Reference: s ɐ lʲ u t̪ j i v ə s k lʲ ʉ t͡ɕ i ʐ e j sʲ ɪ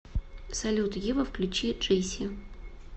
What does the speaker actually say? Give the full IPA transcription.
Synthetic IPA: s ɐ lʲ u t̪ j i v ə f k lʲ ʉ t͡ɕ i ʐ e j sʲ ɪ